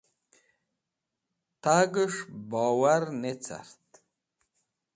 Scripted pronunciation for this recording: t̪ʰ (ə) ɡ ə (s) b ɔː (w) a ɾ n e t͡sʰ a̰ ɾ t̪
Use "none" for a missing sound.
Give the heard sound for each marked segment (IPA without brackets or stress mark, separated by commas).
a, ʂ, w